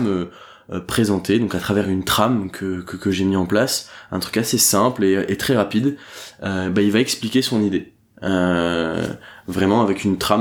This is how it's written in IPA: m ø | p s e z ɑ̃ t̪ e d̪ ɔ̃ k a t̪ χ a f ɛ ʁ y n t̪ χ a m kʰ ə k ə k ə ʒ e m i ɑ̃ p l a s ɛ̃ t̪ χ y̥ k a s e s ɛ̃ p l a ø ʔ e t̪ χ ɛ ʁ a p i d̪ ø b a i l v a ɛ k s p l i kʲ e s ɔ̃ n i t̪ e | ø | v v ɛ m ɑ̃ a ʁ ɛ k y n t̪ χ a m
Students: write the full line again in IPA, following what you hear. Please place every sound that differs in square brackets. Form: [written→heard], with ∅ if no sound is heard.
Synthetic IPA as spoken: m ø | p [s→χ] e z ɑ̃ t̪ e d̪ ɔ̃ k a t̪ χ a [f→v] ɛ ʁ y n t̪ χ a m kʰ ə k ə k ə ʒ e m i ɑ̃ p l a s ɛ̃ t̪ χ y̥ k a s e s ɛ̃ p l [a→e] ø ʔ e t̪ χ ɛ ʁ a p i d̪ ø b a i l v a ɛ k s p l i kʲ e s ɔ̃ n i [t̪→d̪] e | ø | v [v→ʁ] ɛ m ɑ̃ a [ʁ→v] ɛ k y n t̪ χ a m